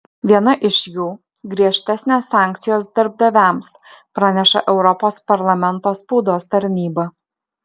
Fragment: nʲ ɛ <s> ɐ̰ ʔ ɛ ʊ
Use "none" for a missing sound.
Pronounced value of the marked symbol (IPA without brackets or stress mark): ʃ